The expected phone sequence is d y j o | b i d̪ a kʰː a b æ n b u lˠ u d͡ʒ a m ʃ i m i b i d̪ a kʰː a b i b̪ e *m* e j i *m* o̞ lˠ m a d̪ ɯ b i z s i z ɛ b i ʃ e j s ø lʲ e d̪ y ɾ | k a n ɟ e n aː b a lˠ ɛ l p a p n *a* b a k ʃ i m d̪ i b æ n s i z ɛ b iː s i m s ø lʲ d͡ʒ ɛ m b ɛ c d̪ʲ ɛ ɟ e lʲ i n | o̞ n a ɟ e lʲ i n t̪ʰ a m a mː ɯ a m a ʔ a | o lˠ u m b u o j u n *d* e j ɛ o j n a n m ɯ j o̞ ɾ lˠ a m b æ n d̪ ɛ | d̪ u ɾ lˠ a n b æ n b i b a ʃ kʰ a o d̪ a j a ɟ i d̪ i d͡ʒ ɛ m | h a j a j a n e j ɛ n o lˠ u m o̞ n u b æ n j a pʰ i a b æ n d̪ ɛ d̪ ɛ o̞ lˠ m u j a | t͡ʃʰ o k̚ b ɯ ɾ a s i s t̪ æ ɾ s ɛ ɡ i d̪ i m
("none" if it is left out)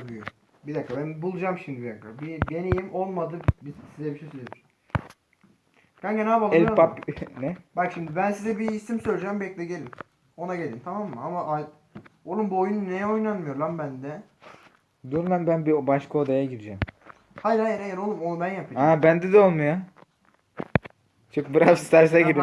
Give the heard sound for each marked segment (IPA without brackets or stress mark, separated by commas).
n, m, ɛ, n